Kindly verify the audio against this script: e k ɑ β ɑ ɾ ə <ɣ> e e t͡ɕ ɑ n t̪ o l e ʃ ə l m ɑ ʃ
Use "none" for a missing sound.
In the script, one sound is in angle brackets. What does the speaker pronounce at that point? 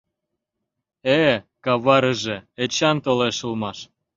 ʒ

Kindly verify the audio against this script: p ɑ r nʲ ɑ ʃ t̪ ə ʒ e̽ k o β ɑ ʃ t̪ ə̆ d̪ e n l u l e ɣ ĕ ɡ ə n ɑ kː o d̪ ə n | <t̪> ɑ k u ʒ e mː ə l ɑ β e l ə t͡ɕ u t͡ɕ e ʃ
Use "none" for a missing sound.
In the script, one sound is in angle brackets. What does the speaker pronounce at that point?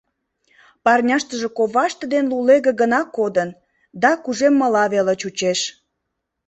d̪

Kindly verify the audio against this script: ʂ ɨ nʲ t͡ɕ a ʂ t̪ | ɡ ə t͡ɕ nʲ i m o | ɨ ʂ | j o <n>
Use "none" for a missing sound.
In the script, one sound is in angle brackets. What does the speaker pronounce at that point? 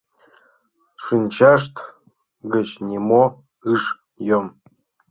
m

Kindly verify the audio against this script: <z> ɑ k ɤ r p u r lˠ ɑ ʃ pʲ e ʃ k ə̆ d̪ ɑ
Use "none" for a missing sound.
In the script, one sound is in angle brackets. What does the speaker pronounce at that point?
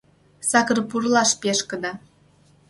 s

